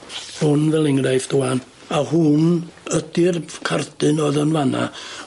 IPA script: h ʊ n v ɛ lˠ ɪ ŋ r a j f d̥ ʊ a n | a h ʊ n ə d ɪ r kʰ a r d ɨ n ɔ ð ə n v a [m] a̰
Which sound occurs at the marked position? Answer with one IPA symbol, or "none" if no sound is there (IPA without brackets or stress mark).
n